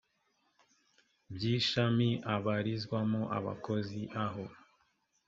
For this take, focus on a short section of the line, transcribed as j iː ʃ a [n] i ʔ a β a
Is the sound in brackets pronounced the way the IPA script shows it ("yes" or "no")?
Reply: no